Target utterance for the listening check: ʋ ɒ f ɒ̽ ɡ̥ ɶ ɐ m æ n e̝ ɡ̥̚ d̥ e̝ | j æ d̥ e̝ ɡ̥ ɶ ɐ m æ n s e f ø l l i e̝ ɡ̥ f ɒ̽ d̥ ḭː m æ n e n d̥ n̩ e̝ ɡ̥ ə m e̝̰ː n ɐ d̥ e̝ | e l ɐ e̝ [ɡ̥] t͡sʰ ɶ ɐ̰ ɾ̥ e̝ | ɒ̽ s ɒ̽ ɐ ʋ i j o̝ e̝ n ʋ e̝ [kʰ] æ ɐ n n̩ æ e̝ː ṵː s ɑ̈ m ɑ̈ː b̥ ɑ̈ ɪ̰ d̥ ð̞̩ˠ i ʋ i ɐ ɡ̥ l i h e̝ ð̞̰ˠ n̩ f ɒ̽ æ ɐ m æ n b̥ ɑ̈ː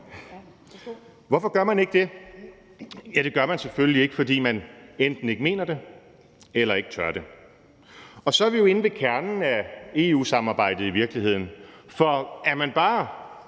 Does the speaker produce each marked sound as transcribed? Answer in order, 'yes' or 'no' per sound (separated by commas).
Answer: yes, yes